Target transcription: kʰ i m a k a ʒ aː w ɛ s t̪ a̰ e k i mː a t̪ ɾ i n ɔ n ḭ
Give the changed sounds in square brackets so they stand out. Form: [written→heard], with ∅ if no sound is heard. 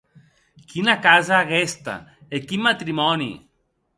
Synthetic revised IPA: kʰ i [m→n] a k a [ʒ→z] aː [w→ɣ] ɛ s t̪ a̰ e k i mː a t̪ ɾ i [n→m] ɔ n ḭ